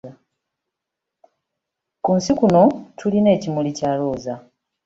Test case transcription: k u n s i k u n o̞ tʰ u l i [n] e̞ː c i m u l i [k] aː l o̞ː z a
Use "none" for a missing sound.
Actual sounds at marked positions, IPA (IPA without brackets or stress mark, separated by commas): n, c